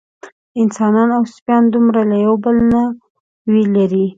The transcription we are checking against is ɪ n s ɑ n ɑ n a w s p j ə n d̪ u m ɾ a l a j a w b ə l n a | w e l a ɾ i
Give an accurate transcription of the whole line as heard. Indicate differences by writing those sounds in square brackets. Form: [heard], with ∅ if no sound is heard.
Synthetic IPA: ɪ n s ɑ n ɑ n a w s p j [ɑ] n d̪ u m ɾ a l a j a w b ə l n a | w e l a ɾ i